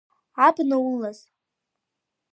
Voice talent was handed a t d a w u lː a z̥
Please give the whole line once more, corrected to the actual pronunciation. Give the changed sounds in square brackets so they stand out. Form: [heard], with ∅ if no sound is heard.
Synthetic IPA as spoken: a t [n] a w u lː a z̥

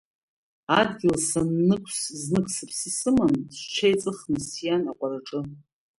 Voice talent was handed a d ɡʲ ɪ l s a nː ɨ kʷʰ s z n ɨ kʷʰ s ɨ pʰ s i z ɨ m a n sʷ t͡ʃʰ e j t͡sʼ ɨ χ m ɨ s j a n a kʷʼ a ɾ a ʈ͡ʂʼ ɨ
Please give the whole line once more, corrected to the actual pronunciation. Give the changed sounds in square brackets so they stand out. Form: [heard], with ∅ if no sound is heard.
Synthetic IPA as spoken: a d ɡʲ ɪ l s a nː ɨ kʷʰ s z n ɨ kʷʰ s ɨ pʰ s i [s] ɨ m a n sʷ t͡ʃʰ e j t͡sʼ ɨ χ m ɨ s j a n a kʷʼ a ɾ a ʈ͡ʂʼ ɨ

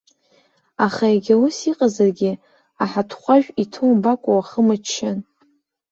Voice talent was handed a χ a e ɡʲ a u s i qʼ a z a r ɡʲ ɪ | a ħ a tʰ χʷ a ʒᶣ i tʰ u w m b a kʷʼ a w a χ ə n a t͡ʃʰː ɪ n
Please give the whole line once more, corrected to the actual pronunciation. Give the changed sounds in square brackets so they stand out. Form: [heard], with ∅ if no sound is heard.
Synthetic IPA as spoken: a χ a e ɡʲ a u s i qʼ a z a r ɡʲ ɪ | a ħ a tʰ χʷ a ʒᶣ i tʰ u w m b a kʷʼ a w a χ ə [m] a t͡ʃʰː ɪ n

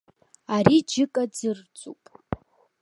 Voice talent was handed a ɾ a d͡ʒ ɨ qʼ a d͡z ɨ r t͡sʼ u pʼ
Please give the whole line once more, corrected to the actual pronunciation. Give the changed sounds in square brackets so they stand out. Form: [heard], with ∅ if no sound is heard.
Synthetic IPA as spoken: a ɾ [i] d͡ʒ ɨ [kʼ] a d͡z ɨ r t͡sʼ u pʼ

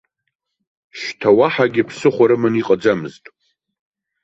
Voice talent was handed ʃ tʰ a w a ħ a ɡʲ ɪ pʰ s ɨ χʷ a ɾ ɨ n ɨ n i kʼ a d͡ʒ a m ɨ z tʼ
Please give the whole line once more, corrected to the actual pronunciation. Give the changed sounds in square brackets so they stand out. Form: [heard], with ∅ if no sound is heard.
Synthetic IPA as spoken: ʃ tʰ a w a ħ a ɡʲ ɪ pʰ s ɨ χʷ a ɾ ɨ [m] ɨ n i [qʼ] a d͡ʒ a m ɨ z tʼ

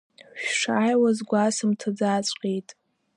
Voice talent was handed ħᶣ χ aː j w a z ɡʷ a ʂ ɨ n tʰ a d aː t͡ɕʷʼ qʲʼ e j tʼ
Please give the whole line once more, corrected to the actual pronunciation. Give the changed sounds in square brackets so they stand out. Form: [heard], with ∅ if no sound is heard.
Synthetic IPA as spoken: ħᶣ [ʂ] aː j w a z ɡʷ a [s] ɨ [m] tʰ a [d͡z] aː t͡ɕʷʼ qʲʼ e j tʼ

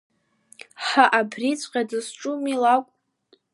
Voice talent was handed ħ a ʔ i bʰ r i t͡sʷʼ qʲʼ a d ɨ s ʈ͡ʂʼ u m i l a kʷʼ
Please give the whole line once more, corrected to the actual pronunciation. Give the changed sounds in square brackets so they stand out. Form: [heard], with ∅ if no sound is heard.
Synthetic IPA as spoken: ħ a ʔ [a] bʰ r i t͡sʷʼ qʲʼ a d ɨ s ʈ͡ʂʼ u m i l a kʷʼ

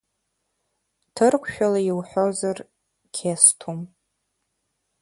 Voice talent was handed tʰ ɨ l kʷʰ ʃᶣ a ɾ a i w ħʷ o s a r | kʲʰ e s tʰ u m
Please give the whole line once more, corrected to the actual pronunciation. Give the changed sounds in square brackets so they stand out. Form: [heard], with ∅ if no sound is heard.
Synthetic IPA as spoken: tʰ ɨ [r] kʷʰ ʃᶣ a [l] a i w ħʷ o [z] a r | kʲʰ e s tʰ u m

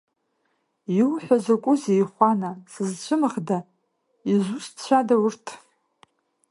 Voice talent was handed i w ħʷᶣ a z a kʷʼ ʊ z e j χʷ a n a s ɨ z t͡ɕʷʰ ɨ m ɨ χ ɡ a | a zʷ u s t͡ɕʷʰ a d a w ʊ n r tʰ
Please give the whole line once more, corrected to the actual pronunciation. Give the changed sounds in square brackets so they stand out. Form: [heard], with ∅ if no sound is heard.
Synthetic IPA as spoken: i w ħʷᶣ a z a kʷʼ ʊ z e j χʷ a n a s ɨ z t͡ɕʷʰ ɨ m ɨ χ [d] a | [i] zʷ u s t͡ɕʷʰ a d a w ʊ [∅] r tʰ

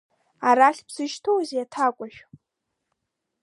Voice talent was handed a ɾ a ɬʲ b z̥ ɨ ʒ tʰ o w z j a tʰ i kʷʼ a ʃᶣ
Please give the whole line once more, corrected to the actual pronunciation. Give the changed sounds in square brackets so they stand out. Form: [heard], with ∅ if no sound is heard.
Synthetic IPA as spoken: a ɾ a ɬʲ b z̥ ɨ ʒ tʰ o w z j a tʰ [a] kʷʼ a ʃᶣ

